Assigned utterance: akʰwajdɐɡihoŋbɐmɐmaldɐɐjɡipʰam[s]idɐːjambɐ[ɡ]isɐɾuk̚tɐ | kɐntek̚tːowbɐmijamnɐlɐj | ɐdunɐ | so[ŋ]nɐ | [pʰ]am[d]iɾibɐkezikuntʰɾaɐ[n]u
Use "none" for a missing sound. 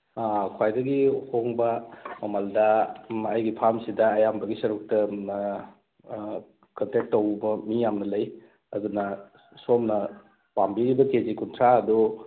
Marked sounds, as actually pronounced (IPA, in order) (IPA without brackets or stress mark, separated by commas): s, ɡ, m, p, b, d